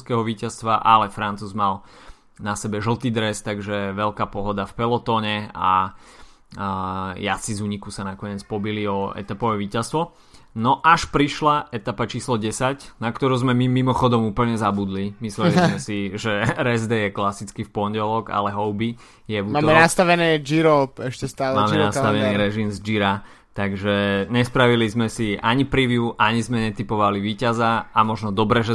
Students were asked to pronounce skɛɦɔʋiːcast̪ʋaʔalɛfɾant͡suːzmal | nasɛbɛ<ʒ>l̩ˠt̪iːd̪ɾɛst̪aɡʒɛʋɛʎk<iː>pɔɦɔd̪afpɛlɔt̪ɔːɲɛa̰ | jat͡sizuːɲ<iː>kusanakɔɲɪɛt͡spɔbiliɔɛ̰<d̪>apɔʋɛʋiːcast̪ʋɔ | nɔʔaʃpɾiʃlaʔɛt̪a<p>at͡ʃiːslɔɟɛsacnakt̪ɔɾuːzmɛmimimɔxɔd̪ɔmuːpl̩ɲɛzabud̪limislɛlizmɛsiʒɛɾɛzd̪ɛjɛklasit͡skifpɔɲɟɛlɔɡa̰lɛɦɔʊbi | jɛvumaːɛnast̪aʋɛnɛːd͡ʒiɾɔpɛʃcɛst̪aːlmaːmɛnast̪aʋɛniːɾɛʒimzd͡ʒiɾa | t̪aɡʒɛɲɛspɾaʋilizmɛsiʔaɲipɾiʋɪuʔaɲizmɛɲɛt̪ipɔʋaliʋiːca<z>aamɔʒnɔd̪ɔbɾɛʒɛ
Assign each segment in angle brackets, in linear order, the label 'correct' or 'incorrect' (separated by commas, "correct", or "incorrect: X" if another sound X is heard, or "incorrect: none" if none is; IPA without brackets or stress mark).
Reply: correct, incorrect: aː, incorrect: i, incorrect: t̪, correct, correct